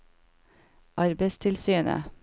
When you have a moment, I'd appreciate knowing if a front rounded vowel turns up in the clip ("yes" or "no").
yes